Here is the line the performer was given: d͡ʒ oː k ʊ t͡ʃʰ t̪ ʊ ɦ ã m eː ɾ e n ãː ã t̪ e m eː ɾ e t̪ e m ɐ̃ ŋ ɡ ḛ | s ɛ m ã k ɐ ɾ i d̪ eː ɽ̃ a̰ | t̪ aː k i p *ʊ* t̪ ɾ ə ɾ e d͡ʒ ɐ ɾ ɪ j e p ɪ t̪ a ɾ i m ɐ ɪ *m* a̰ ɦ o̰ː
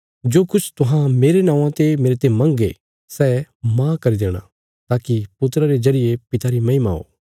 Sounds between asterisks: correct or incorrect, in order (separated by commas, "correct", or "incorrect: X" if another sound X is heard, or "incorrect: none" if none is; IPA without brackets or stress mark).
correct, correct